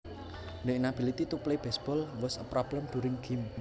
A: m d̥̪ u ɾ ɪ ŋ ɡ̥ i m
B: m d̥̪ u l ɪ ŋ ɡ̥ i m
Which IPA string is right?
A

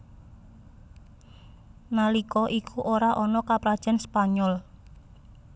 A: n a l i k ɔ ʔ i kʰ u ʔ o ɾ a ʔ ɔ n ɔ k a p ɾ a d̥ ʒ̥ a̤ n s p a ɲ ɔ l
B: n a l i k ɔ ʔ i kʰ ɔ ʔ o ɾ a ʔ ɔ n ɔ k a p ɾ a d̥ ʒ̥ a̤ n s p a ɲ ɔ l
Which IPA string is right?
A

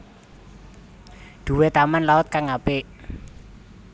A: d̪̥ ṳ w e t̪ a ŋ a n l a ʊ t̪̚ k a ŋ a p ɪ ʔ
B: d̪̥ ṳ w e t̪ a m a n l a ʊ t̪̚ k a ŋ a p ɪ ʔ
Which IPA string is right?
B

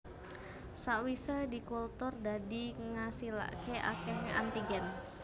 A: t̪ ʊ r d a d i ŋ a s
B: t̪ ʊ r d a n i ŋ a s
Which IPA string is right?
A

